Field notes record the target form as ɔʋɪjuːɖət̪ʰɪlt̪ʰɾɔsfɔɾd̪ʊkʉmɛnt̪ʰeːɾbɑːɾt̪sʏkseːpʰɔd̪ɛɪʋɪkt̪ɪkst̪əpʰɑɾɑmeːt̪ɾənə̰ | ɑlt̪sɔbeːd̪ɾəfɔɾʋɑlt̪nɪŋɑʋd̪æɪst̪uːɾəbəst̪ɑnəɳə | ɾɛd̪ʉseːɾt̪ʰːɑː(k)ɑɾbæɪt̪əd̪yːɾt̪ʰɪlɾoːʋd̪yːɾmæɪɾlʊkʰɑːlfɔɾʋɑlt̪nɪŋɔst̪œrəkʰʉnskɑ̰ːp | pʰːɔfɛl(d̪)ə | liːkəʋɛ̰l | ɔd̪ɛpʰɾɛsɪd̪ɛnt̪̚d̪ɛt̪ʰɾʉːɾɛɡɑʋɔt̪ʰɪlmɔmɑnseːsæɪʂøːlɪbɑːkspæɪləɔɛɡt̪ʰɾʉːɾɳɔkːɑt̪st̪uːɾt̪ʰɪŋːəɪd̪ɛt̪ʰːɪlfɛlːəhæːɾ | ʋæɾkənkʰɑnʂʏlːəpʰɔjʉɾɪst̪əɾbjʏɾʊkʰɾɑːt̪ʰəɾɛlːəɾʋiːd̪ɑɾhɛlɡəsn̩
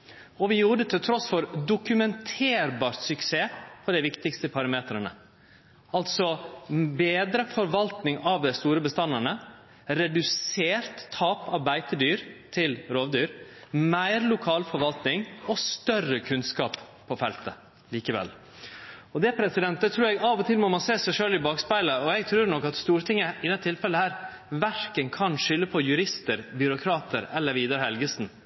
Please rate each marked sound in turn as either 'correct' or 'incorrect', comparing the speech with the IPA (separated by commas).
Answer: incorrect, incorrect